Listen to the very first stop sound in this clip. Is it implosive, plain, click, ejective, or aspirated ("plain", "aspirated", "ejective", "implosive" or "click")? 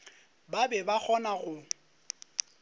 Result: plain